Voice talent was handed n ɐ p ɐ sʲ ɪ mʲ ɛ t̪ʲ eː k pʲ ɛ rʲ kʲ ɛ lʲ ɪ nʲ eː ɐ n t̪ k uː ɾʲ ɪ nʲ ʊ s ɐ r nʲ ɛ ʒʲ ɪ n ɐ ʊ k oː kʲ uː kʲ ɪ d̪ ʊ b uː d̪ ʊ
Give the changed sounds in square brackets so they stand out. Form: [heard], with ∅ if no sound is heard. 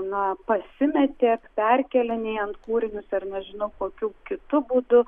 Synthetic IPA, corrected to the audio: n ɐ p ɐ sʲ ɪ mʲ ɛ t̪ʲ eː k pʲ ɛ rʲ kʲ ɛ lʲ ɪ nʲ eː ɐ n t̪ k uː ɾʲ ɪ nʲ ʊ s ɐ r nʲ ɛ ʒʲ ɪ n ɐ ʊ k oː kʲ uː kʲ ɪ [t̪] ʊ b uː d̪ ʊ